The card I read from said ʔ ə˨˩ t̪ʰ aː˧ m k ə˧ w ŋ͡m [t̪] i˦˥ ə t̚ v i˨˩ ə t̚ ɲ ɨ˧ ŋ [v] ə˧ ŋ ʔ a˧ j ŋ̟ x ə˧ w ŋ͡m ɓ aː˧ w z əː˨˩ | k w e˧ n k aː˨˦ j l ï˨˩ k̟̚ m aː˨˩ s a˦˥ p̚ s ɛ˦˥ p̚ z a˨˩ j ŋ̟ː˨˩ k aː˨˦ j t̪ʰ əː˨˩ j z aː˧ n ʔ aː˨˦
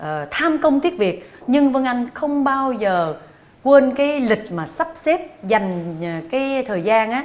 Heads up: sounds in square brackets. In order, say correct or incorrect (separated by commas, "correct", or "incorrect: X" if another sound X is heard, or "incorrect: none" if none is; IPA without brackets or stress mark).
correct, correct